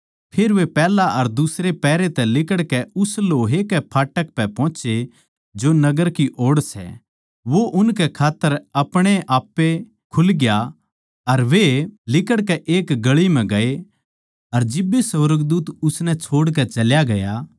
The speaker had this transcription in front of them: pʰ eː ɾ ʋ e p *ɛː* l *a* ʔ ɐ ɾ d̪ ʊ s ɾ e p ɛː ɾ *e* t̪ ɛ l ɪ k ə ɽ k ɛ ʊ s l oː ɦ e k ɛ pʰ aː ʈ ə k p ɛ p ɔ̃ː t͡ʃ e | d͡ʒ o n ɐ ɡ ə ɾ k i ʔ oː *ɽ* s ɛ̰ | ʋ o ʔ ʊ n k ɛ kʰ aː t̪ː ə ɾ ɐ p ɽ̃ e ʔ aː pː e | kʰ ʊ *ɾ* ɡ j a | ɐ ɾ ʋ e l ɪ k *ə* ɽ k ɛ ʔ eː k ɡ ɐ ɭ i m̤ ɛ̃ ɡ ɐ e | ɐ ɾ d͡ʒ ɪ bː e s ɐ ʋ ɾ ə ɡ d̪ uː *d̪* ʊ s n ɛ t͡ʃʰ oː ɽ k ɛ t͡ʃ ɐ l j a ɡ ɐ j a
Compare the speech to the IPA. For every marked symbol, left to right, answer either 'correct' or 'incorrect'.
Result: correct, correct, correct, correct, incorrect, correct, incorrect

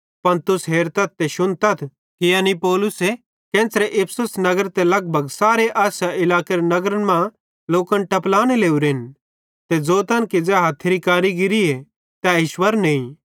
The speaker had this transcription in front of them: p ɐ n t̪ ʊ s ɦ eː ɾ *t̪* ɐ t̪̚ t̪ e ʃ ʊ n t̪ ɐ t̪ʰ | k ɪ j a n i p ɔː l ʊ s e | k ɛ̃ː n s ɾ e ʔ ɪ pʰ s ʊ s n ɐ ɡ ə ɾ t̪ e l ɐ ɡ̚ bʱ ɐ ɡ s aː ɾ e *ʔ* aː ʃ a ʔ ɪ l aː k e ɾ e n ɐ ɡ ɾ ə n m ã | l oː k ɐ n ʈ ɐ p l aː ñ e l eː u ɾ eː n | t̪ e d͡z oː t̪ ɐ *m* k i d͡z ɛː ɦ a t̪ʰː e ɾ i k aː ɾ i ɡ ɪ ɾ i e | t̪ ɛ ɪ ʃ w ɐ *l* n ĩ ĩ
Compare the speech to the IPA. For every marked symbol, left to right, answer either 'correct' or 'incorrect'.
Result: correct, correct, incorrect, incorrect

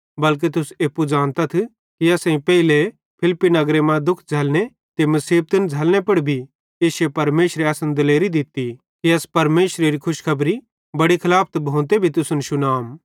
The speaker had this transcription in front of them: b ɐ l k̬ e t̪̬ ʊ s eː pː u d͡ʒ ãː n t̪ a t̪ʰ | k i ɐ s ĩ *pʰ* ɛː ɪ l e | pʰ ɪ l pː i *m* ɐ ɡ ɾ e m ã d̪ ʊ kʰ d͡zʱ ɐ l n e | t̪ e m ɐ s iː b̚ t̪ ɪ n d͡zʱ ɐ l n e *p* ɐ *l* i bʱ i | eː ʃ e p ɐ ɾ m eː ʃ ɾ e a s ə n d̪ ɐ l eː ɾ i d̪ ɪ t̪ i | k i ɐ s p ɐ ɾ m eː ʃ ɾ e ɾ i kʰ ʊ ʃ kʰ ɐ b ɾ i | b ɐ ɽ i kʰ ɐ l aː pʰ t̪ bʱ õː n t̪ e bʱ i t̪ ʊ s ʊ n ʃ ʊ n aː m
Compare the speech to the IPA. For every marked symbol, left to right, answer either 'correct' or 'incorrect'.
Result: incorrect, incorrect, correct, incorrect

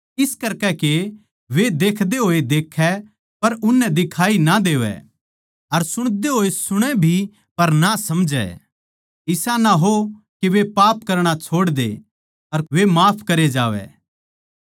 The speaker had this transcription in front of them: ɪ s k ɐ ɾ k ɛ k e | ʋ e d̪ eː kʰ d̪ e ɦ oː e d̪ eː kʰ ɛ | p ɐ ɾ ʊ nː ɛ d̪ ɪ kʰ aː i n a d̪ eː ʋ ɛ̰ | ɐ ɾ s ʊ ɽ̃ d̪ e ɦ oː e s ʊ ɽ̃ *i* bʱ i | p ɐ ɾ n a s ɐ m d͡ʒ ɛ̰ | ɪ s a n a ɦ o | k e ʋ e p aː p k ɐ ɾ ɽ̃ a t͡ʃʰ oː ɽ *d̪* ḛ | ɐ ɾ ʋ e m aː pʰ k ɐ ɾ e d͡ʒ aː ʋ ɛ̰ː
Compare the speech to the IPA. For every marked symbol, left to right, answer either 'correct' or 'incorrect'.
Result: incorrect, correct

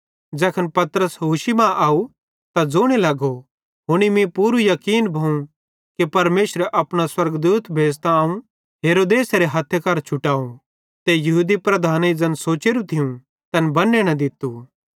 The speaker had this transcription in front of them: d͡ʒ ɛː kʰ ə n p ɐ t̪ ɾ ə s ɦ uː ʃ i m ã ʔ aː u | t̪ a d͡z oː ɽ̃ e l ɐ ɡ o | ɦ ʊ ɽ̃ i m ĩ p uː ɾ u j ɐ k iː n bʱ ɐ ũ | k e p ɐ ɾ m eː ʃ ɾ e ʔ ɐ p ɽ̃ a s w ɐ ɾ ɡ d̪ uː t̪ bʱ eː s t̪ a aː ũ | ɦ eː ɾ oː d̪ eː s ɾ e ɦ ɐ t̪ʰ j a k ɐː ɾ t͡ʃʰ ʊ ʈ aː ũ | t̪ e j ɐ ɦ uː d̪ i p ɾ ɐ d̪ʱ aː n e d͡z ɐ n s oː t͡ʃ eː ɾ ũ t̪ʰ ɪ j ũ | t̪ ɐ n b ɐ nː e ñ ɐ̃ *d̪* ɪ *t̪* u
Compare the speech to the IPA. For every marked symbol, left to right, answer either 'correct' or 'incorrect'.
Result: correct, correct

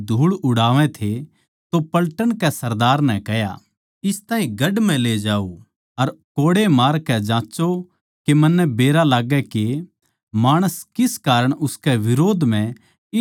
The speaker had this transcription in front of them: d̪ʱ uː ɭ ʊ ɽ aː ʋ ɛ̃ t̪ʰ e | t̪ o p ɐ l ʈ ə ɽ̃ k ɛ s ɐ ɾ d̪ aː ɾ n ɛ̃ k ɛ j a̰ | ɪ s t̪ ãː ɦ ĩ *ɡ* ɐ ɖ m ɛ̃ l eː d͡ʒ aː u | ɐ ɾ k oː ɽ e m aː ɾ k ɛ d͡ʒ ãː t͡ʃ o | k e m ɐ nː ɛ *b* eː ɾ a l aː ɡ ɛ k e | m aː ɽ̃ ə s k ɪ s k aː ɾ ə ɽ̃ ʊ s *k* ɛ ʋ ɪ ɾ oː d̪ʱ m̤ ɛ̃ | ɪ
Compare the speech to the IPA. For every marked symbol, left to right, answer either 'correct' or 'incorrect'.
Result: correct, correct, correct

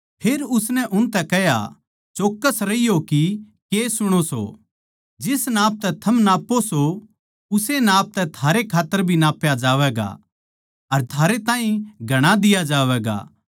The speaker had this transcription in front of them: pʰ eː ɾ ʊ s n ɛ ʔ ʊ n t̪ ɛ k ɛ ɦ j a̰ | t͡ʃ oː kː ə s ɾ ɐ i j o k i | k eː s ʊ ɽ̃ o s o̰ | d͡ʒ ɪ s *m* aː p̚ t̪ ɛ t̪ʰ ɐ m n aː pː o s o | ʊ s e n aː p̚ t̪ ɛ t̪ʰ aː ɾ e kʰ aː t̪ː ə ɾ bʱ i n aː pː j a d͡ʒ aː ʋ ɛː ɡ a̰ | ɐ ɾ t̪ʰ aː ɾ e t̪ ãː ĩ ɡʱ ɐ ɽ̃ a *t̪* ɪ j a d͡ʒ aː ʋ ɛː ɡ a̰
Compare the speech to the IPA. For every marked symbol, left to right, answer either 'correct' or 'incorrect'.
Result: incorrect, incorrect

